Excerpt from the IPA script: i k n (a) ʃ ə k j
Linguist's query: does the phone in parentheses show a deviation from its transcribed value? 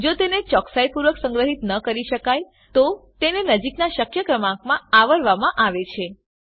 no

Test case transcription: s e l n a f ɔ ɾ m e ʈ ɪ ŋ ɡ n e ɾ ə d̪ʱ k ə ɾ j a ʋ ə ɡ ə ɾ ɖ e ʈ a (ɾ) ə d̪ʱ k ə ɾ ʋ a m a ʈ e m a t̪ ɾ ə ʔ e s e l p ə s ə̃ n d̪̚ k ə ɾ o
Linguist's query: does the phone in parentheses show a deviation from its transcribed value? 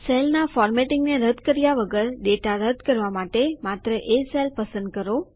no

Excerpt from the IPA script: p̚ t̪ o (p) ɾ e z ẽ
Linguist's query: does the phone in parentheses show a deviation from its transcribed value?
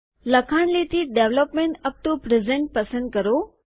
no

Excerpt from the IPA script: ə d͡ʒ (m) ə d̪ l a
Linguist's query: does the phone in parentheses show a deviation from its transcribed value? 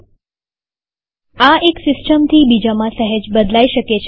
yes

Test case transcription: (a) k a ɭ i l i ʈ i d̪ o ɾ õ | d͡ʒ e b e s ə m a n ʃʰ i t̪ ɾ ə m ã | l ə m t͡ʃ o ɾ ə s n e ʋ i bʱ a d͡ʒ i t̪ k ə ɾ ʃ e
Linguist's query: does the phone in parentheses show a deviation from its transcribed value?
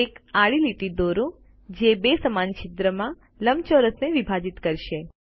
yes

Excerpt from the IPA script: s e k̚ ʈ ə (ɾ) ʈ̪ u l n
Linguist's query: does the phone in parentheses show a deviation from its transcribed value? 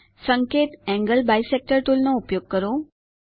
no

